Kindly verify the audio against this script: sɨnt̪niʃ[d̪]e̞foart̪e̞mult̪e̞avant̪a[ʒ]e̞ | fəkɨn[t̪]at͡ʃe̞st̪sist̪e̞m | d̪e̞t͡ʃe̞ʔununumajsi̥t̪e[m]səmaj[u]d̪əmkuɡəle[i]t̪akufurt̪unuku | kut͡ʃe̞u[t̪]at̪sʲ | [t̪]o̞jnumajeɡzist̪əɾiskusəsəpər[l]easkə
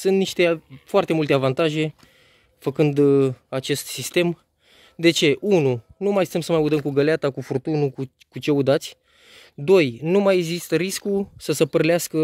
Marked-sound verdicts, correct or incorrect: incorrect, correct, incorrect, correct, correct, incorrect, incorrect, incorrect, correct

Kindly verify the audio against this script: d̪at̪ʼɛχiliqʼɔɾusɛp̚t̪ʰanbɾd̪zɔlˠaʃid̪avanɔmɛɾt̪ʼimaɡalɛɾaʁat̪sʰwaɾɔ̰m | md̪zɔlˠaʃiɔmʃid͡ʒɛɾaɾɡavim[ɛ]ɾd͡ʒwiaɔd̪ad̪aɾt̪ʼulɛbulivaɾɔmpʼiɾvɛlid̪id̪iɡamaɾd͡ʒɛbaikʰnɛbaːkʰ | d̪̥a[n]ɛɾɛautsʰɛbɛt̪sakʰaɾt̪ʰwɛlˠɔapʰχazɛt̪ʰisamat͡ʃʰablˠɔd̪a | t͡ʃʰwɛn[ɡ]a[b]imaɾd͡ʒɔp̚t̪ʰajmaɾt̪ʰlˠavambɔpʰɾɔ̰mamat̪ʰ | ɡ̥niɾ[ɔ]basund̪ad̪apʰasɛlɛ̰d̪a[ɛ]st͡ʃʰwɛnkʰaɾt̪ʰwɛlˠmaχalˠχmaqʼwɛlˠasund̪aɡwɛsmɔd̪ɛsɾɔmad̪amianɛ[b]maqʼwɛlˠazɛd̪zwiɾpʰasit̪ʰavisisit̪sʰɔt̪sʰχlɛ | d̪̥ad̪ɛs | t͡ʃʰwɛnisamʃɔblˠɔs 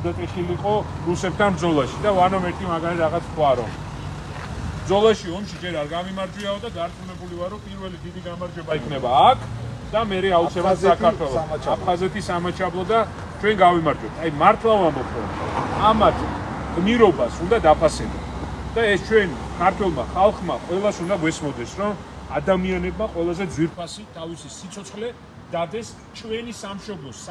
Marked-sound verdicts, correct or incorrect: incorrect, incorrect, correct, incorrect, correct, correct, correct

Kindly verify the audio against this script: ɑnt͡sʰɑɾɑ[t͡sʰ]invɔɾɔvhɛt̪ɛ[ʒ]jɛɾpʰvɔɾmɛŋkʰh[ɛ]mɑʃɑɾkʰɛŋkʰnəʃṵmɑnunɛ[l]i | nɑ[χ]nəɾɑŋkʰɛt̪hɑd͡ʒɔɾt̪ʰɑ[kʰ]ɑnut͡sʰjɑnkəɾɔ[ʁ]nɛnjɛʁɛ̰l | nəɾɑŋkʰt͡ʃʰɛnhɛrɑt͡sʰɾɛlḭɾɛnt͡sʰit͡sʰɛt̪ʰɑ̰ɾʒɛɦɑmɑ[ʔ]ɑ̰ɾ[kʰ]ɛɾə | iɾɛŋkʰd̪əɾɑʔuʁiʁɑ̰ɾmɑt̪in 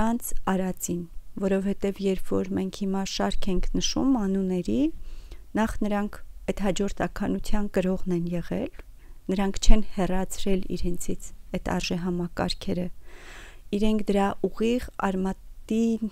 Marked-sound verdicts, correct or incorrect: incorrect, incorrect, incorrect, incorrect, correct, correct, correct, incorrect, correct

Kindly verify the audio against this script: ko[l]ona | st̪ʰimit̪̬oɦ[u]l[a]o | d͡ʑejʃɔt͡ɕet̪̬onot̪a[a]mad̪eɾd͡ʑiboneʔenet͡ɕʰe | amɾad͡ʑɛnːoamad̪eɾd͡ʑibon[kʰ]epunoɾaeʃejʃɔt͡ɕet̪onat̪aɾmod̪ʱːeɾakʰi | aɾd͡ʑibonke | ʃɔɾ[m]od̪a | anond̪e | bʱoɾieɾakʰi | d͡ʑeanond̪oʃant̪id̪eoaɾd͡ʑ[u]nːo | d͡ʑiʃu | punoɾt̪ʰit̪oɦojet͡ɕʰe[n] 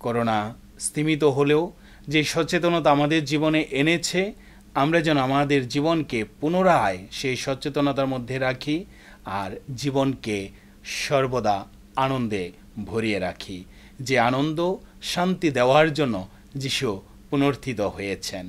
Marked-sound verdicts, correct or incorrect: incorrect, incorrect, incorrect, correct, incorrect, incorrect, incorrect, correct

